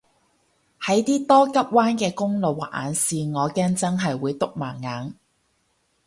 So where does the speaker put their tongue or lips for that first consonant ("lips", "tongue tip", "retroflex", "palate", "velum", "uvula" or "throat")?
throat